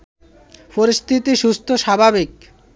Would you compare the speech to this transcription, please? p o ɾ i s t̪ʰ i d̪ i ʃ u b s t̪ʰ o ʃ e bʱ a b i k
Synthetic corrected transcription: p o ɾ i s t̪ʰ i t̪ i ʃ u s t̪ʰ o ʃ a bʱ a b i k